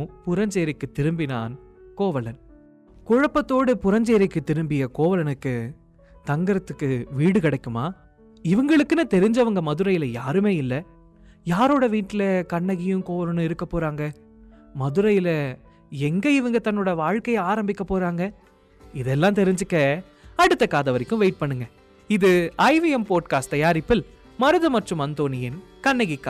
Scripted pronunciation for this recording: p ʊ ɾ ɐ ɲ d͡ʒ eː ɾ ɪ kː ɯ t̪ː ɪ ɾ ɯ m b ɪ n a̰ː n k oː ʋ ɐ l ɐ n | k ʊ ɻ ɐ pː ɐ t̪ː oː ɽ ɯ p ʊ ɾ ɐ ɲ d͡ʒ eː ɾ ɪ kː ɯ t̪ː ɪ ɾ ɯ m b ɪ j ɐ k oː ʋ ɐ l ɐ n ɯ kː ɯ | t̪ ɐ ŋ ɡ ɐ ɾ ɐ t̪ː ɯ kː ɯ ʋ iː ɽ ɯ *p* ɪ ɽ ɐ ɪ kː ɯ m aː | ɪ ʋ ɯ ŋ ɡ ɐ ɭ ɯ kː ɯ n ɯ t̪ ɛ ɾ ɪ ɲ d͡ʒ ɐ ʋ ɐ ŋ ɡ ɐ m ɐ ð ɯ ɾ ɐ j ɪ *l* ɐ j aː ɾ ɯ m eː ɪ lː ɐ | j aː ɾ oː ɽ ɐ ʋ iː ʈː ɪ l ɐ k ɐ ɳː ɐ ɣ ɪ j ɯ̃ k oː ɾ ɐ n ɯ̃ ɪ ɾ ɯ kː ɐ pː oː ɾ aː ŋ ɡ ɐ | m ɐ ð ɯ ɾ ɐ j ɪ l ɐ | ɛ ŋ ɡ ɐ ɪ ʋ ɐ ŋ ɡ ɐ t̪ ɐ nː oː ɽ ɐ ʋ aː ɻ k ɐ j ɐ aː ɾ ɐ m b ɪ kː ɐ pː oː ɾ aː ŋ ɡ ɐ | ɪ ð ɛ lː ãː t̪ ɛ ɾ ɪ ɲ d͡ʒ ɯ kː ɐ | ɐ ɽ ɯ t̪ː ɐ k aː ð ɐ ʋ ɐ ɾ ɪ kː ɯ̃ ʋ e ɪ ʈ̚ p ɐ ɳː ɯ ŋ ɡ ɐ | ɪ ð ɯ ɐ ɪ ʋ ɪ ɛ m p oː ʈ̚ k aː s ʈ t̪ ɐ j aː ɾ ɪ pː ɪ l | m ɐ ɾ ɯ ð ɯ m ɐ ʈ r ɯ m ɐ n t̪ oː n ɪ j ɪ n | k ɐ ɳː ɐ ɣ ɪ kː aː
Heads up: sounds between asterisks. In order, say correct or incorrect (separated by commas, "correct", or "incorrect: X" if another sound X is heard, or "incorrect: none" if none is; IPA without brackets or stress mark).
incorrect: k, correct